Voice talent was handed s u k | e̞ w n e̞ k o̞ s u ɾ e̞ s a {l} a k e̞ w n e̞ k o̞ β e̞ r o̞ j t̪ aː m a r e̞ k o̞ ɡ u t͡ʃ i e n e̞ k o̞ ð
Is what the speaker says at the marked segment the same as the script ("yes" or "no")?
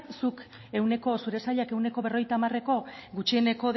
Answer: no